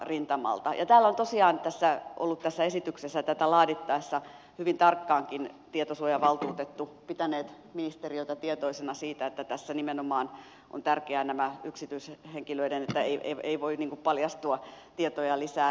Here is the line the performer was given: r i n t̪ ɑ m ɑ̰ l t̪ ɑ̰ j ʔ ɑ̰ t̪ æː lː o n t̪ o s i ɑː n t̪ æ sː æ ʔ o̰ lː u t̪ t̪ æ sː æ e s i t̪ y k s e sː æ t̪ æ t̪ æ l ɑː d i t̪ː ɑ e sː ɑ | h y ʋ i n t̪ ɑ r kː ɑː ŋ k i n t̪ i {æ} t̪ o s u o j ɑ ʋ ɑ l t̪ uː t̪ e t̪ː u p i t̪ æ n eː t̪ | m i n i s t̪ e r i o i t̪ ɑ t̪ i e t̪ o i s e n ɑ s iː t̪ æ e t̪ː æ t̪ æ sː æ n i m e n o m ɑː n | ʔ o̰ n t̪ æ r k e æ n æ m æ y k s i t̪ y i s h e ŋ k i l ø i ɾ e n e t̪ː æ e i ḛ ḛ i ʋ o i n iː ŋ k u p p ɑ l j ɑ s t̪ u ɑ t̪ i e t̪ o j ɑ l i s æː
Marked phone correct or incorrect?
incorrect: e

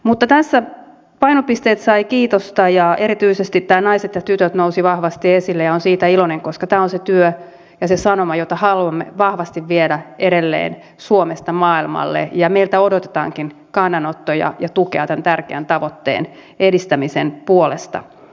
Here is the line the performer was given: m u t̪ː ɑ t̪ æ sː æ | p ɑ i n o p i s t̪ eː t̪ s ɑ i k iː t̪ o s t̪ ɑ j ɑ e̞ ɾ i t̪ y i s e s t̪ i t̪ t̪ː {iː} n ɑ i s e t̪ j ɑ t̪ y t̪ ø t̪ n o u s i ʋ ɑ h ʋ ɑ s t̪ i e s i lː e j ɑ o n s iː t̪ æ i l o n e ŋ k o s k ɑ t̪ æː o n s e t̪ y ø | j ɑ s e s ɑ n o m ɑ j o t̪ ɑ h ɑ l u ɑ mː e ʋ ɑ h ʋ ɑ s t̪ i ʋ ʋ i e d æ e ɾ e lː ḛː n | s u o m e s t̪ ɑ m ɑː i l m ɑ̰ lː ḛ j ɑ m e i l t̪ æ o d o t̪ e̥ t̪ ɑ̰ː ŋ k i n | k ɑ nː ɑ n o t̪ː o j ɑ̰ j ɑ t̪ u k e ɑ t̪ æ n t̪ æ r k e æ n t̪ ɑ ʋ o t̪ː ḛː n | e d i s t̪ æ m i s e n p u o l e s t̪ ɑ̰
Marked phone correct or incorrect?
incorrect: æː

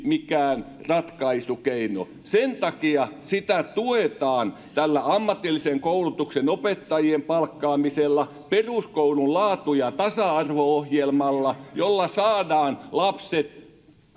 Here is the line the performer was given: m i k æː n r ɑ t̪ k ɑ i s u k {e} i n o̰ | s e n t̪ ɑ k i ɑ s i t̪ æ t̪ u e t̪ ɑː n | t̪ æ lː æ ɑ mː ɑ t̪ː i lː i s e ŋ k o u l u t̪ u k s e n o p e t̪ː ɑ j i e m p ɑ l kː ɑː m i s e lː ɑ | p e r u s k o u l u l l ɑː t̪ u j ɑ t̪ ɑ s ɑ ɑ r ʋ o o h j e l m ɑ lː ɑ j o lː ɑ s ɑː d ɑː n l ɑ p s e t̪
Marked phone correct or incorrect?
correct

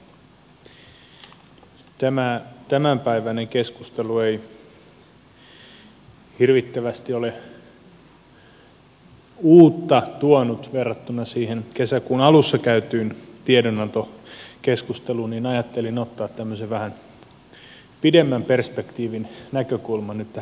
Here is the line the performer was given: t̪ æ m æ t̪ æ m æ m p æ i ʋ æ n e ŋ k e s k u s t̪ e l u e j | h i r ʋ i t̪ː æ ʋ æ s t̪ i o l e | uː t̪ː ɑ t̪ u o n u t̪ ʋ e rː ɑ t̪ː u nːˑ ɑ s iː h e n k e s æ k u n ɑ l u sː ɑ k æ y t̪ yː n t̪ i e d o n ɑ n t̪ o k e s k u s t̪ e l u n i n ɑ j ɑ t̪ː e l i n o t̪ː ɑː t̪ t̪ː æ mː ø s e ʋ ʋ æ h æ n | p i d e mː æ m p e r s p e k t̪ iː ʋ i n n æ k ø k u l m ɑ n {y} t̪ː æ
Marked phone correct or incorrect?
correct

